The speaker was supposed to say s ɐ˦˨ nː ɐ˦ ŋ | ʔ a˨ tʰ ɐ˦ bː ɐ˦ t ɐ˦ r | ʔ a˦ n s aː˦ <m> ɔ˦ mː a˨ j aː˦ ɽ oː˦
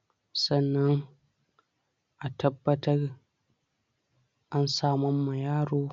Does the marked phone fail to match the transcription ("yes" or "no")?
no